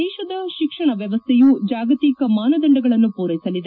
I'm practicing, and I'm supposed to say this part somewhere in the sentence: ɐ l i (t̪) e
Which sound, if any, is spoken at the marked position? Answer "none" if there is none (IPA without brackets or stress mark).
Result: d̪